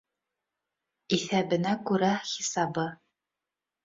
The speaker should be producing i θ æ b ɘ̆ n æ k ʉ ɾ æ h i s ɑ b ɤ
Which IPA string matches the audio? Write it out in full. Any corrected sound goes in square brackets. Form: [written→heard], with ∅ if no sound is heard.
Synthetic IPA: i θ æ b ɘ̆ n æ k ʉ ɾ æ [h→χ] i s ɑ b ɤ